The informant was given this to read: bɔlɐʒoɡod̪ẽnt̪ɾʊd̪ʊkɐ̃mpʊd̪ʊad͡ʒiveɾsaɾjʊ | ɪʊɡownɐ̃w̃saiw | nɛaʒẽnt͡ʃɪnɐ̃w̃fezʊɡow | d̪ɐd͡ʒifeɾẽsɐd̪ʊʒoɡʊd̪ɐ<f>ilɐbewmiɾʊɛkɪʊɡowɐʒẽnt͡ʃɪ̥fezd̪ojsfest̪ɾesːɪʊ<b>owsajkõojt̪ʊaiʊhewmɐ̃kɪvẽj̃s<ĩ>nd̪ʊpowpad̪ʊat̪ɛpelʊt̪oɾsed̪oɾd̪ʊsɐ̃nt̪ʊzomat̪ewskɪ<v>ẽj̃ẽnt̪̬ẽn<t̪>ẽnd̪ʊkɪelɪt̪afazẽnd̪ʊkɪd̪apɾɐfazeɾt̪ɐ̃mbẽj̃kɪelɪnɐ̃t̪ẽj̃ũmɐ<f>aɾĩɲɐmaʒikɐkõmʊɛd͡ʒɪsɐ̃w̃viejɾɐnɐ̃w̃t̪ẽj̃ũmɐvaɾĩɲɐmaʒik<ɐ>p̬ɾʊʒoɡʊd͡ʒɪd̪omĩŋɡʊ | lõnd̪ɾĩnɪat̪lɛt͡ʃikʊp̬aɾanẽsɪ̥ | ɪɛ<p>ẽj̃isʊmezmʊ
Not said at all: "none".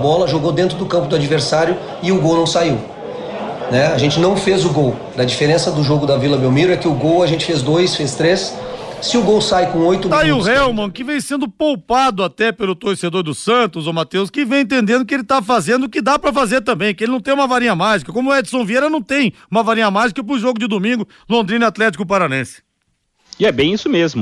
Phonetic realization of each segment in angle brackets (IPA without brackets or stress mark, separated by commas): v, ɡ, ẽ, v, d̪, v, ɐ, b